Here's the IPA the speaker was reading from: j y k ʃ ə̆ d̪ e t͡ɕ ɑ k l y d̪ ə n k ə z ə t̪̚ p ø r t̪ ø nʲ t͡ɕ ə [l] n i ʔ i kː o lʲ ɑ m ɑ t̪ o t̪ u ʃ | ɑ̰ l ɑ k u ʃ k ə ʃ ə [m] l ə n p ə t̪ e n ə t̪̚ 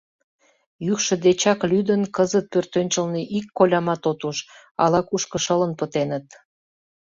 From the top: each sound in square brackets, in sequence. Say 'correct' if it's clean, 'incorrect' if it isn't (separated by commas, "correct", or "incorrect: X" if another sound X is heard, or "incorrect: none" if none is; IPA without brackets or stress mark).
correct, incorrect: none